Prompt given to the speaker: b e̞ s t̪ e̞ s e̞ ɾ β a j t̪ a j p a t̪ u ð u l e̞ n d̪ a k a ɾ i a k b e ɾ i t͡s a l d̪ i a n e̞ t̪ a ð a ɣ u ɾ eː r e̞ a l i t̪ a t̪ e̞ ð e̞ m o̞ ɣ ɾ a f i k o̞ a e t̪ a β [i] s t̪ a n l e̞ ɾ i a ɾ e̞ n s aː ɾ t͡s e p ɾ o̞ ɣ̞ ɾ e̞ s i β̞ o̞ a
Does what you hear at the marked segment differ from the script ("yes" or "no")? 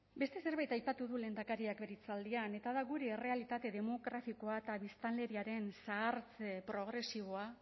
no